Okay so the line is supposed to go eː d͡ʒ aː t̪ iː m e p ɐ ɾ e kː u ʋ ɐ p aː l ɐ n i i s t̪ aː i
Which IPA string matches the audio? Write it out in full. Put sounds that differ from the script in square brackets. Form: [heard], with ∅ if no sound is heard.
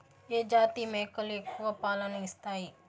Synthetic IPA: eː d͡ʒ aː t̪ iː m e [k] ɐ [l] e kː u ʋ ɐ p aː l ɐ n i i s t̪ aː i